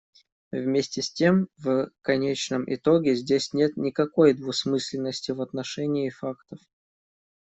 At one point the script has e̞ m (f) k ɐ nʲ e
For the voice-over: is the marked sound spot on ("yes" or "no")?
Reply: no